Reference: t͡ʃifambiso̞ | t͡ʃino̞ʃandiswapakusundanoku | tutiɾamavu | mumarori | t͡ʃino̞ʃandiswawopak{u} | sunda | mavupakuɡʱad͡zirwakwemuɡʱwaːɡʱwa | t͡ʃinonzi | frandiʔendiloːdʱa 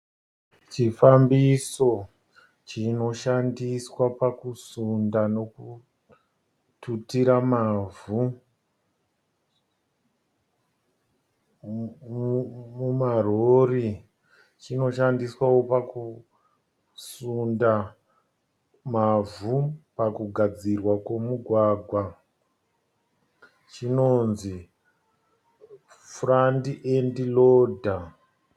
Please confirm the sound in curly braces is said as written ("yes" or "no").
yes